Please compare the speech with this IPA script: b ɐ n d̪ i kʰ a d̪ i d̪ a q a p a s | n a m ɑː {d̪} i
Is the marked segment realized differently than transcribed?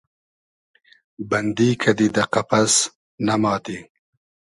yes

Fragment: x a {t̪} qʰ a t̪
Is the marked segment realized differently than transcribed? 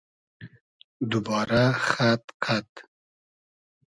no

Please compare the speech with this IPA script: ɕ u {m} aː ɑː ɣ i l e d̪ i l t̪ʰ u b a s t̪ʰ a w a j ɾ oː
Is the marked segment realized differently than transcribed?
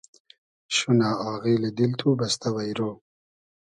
yes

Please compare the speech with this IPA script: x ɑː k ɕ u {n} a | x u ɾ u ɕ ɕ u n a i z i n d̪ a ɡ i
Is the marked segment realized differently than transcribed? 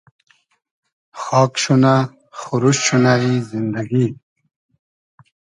no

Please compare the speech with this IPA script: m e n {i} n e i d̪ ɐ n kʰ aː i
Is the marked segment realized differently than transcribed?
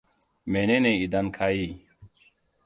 yes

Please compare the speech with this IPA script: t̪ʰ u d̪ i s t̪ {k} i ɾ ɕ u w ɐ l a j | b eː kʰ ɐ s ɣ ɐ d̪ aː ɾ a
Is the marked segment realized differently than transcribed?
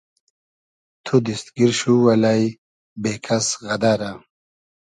yes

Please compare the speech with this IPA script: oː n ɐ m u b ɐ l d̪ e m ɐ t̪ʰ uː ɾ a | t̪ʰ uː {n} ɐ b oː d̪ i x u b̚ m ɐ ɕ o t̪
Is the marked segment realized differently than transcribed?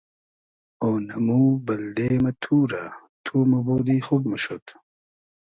yes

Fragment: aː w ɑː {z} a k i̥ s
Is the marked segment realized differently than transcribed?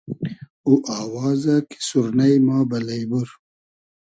no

